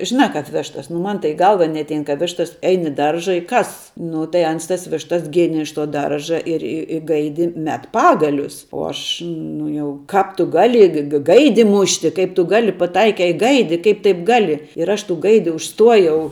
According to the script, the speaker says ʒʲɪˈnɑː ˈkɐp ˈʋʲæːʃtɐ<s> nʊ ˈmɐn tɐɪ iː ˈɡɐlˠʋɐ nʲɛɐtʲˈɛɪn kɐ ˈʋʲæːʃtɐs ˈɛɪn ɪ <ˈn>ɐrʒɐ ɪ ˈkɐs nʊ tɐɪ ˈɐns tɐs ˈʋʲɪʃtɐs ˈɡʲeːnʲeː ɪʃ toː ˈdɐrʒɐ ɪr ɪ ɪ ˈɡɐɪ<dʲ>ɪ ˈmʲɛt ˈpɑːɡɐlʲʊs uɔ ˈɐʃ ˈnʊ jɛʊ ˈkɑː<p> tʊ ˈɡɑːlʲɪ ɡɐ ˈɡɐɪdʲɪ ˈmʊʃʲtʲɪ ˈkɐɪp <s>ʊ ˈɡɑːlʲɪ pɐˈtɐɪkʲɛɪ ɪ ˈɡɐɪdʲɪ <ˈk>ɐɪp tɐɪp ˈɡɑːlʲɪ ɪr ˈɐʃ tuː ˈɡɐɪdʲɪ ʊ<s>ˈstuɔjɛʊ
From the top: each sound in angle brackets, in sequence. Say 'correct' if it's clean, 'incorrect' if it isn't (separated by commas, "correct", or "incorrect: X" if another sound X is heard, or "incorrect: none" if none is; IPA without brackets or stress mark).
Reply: correct, incorrect: d, correct, correct, incorrect: t, correct, incorrect: ʃ